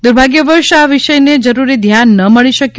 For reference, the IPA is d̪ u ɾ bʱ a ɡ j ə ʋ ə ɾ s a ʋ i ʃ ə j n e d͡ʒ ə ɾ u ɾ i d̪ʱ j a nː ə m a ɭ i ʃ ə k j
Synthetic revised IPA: d̪ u ɾ bʱ a ɡ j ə ʋ ə ɾ ʃ a ʋ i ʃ ə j n e d͡ʒ ə ɾ u ɾ i d̪ʱ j a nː ə m ə ɭ i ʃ ə k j